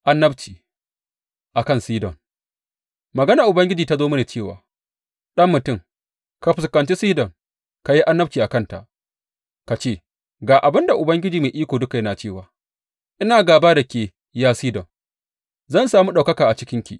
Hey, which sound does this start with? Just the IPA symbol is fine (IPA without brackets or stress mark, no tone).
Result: ʔ